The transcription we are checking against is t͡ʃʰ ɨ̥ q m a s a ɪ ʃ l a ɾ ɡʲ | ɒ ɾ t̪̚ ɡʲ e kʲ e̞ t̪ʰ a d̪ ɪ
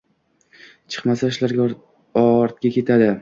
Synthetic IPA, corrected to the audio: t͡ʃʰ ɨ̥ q m a s a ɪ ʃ l a ɾ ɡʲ | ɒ ɾ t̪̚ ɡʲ a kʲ e̞ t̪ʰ a d̪ ɪ